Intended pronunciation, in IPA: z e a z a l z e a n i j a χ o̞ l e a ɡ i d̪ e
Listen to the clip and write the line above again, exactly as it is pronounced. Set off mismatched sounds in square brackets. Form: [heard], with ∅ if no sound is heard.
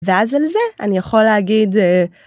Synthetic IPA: [v] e a z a l z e a n i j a χ o̞ l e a ɡ i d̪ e